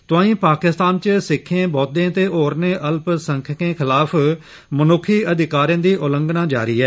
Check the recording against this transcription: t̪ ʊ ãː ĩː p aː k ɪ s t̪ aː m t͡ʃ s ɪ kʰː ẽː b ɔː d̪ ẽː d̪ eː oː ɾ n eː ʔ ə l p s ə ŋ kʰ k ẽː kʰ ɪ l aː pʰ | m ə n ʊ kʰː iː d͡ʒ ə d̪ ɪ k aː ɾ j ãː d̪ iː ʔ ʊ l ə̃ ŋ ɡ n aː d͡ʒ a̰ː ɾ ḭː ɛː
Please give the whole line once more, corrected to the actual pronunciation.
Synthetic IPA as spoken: t̪ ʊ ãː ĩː p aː k ɪ s t̪ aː n t͡ʃ s ɪ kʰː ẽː b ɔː d̪ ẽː t̪ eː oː ɾ n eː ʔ ə l p s ə ŋ kʰ k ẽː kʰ ɪ l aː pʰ | m ə n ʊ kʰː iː ə d̪ ɪ k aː ɾ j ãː d̪ iː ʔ ʊ l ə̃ ŋ ɡ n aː d͡ʒ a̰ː ɾ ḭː ɛː